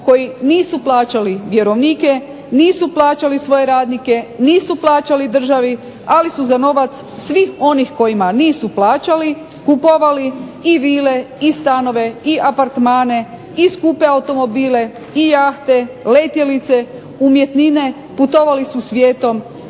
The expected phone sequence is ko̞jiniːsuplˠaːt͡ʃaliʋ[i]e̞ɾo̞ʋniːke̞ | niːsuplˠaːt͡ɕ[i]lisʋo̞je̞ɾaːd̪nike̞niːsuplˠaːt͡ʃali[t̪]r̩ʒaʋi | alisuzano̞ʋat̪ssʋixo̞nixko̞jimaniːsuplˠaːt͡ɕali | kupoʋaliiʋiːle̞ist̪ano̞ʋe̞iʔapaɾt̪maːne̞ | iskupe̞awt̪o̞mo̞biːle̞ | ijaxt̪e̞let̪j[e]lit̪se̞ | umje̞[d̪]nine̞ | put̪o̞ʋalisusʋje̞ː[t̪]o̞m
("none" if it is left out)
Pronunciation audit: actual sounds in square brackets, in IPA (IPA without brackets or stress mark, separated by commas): j, a, d̪, e, t̪, t̪